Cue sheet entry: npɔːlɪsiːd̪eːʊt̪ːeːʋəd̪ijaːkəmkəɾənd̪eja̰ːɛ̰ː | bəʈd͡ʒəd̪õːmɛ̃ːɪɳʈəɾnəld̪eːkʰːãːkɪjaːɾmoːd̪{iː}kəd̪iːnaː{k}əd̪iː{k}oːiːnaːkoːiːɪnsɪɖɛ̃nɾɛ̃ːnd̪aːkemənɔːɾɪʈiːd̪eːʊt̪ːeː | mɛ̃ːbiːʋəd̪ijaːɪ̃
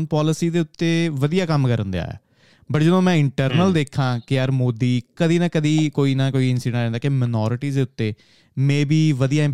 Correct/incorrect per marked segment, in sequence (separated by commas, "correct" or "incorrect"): correct, correct, correct